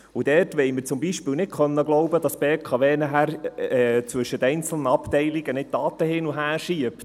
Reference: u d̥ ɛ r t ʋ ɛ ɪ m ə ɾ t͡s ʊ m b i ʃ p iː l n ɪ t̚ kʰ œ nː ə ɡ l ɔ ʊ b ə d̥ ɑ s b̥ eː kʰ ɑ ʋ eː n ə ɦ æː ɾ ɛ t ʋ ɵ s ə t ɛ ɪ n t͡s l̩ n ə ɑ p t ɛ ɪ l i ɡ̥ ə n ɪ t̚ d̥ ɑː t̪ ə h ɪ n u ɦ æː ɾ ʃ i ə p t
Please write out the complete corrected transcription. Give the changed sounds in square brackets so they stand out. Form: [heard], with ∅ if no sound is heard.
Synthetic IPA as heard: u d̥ ɛ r t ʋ ɛ ɪ m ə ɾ t͡s ʊ m b i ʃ p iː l n ɪ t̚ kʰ œ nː ə ɡ l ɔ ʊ b ə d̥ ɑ s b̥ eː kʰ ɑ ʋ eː n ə ɦ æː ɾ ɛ [t͡s] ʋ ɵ [ʃ] ə t ɛ ɪ n t͡s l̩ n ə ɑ p t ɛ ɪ l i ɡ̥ ə n ɪ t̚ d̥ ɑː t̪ ə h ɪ n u ɦ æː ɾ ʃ i ə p t